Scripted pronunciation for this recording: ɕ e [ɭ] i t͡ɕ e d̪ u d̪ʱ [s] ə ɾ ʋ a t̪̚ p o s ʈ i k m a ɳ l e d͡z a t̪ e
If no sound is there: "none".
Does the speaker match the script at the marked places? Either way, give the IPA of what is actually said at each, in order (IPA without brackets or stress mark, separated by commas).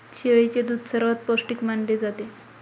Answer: ɭ, s